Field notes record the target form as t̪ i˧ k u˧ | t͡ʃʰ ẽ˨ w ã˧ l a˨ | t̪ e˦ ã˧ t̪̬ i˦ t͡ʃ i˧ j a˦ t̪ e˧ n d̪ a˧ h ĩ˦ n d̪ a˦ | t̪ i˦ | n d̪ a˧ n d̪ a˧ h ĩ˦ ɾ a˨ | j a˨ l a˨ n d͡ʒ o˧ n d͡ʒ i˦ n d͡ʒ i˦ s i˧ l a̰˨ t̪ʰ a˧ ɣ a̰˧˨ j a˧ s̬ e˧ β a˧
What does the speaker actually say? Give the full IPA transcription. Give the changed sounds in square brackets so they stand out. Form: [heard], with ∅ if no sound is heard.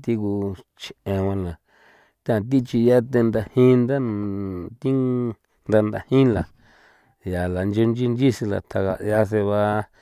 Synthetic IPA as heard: t̪ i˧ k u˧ | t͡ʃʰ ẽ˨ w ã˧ l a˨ | t̪ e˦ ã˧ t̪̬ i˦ t͡ʃ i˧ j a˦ t̪ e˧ n d̪ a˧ h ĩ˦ n d̪ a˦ | t̪ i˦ | n d̪ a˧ n d̪ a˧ h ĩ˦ [l] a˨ | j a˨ l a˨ n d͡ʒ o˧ n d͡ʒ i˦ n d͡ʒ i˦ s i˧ l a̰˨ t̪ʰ a˧ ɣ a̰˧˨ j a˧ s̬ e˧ β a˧

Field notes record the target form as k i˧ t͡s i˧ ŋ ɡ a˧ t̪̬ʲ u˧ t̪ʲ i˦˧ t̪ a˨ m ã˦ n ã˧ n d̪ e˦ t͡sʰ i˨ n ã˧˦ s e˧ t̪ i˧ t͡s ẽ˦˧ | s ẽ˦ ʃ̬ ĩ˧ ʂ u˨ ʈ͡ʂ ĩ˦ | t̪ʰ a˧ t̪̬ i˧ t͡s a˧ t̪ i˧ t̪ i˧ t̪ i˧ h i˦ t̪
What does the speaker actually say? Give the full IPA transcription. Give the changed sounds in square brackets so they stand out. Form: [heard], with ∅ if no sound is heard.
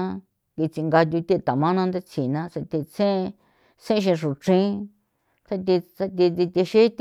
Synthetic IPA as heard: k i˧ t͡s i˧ ŋ ɡ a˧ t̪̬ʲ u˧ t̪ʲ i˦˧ t̪ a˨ m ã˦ n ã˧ n d̪ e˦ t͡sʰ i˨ n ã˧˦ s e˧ t̪ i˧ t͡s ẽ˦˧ | s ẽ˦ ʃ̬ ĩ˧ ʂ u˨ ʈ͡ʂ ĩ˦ | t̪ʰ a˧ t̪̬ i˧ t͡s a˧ t̪ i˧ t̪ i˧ t̪ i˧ [ʃ] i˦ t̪

